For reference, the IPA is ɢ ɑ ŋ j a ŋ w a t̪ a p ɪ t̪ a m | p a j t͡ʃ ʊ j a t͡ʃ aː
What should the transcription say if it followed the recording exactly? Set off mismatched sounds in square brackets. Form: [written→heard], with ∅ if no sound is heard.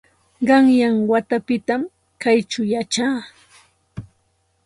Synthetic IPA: ɢ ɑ ŋ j a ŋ w a t̪ a p ɪ t̪ a m | [p→k] a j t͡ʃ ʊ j a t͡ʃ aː